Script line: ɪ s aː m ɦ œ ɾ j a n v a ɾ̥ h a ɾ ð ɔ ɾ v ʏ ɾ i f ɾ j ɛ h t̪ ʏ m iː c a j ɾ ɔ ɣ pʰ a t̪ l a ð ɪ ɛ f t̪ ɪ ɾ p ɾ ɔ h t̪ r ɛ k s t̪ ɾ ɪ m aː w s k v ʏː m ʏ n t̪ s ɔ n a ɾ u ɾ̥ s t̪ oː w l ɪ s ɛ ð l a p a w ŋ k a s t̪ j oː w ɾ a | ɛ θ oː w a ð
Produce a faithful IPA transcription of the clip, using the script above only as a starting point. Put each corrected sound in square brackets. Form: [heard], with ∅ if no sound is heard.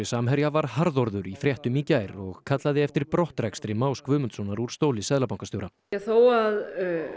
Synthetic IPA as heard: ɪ s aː m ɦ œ ɾ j a [∅] v a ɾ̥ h a ɾ ð ɔ ɾ [ð] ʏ ɾ i f ɾ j ɛ h t̪ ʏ m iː c a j ɾ ɔ ɣ [kʰ] a t̪ l a ð ɪ ɛ f t̪ ɪ ɾ p ɾ ɔ h t̪ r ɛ k s t̪ ɾ ɪ m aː w s k v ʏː m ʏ n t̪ s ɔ n a ɾ u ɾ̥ s t̪ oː w l ɪ s ɛ ð l a p a w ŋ k a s t̪ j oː w ɾ a | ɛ θ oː w a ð